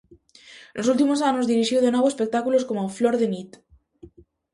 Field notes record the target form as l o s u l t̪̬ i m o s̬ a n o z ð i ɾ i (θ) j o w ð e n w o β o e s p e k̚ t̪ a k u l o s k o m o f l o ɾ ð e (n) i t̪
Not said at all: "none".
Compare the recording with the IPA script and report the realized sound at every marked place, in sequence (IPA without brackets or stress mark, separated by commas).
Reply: ʃ, n